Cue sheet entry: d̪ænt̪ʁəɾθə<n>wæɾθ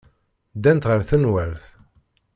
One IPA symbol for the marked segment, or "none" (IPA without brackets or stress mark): n